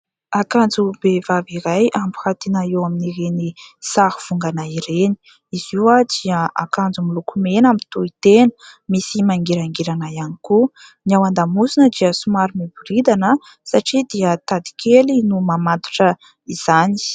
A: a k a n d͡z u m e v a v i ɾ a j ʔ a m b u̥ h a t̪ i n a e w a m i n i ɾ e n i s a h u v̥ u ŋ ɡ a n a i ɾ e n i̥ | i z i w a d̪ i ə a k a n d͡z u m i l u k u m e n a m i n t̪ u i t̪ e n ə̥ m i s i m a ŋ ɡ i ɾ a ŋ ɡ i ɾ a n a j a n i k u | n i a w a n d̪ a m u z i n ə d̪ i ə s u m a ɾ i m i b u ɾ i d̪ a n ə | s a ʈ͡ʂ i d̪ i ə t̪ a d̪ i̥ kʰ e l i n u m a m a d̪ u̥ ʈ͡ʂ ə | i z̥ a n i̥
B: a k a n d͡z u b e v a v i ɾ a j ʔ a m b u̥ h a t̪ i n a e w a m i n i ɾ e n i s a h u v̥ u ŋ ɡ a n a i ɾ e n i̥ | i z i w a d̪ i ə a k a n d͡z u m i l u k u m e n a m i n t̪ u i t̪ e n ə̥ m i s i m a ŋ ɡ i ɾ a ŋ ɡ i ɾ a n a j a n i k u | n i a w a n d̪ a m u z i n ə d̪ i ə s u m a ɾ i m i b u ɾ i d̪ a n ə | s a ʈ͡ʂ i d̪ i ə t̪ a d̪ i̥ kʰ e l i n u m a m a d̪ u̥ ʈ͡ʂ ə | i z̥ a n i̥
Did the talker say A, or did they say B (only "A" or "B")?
B